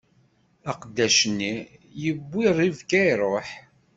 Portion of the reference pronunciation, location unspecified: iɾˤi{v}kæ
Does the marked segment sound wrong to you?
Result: no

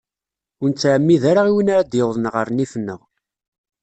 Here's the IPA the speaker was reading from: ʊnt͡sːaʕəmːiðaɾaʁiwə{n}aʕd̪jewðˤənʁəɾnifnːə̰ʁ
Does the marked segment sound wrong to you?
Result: no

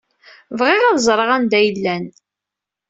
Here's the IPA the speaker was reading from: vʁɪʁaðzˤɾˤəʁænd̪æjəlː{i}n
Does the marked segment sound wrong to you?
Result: yes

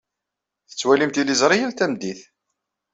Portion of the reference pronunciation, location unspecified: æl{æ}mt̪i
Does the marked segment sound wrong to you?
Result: yes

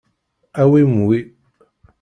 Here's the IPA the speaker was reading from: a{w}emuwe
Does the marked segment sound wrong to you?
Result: no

